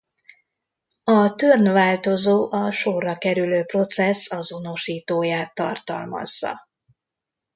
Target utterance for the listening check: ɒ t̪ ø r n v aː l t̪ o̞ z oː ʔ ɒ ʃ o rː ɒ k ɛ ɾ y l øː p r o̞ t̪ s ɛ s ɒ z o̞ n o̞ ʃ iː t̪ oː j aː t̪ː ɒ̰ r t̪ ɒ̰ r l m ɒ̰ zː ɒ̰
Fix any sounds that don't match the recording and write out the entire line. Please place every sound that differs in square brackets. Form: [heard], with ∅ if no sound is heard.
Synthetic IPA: ɒ t̪ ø r n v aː l t̪ o̞ z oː ʔ ɒ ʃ o rː ɒ k ɛ ɾ y l øː p r o̞ t̪ s ɛ s ɒ z o̞ n o̞ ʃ iː t̪ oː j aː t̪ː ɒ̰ r t̪ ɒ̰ [∅] l m ɒ̰ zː ɒ̰